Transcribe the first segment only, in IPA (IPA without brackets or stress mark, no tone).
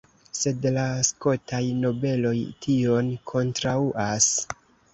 s